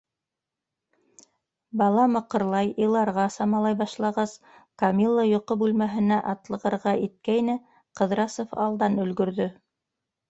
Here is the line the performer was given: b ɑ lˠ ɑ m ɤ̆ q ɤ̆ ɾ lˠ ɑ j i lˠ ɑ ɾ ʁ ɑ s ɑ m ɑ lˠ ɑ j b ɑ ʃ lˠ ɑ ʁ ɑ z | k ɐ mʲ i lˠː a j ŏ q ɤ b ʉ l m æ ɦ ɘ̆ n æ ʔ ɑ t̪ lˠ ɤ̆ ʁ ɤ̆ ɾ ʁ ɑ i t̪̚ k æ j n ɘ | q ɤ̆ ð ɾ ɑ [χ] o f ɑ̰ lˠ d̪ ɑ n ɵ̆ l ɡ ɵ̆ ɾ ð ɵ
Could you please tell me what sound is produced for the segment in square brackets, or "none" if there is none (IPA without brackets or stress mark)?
s